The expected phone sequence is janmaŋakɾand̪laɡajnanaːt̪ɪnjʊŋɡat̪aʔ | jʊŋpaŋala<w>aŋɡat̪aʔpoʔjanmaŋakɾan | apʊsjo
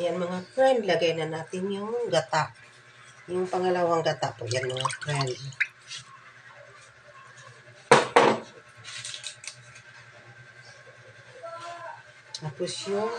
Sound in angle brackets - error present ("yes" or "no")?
no